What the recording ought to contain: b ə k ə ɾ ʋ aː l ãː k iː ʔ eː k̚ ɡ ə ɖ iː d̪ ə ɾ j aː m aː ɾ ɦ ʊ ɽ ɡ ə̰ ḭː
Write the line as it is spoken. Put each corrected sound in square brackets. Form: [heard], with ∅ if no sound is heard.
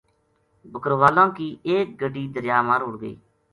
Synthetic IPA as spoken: b ə k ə ɾ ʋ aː l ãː k iː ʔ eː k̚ ɡ ə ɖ iː d̪ ə ɾ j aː m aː ɾ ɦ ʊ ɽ ɡ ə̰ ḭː